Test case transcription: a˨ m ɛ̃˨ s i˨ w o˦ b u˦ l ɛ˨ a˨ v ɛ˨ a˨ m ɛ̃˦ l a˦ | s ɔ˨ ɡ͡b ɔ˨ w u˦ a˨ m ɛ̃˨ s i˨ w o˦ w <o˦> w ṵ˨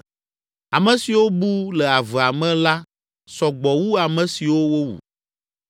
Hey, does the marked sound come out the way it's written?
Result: yes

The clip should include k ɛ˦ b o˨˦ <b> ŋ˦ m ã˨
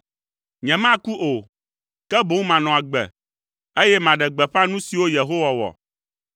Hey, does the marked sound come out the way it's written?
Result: no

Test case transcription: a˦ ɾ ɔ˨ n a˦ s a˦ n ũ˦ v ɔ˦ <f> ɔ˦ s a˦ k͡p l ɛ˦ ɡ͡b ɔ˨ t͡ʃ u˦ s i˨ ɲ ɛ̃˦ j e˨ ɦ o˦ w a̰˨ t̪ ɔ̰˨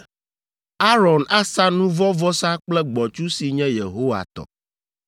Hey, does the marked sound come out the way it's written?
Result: no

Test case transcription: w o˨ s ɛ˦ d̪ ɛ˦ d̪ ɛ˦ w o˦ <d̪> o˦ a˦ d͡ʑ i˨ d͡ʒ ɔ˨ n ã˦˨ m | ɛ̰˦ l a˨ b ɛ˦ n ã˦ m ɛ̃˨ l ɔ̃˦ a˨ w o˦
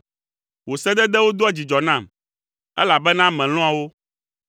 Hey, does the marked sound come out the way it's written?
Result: yes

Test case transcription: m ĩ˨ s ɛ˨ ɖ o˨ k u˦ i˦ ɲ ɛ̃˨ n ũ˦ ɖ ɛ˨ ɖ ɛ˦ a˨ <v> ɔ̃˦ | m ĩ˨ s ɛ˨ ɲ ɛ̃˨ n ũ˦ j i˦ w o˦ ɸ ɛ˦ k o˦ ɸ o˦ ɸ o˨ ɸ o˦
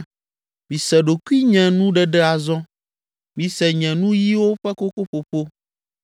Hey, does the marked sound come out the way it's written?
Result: no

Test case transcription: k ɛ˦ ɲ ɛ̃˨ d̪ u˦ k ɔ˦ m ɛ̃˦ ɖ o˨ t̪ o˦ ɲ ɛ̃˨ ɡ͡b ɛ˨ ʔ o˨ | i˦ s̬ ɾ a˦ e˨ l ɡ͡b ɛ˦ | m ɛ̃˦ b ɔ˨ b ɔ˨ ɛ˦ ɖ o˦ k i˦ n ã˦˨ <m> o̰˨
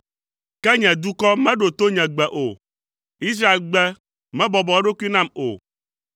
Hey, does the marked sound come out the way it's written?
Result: yes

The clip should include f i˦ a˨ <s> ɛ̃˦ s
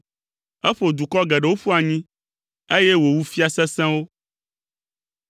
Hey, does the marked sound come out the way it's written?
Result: yes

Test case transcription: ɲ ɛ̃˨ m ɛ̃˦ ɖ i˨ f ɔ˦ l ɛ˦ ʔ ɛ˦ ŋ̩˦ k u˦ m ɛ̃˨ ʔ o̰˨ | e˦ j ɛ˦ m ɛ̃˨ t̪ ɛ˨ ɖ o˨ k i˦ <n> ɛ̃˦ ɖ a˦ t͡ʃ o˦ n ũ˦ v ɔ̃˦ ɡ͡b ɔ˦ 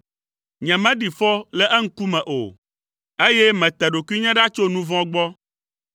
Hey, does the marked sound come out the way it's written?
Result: no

